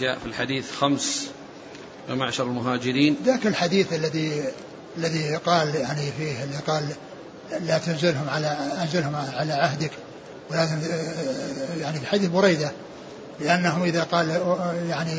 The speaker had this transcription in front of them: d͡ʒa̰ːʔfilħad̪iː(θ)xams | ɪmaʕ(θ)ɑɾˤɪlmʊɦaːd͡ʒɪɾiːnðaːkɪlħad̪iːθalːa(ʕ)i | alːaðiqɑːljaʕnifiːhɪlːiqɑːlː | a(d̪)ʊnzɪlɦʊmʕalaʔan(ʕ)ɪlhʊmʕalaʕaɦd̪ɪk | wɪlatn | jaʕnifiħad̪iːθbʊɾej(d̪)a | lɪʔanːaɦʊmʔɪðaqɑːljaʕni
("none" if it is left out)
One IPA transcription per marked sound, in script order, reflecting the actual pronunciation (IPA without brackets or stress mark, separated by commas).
θ, ʃ, ð, t̪, z, d̪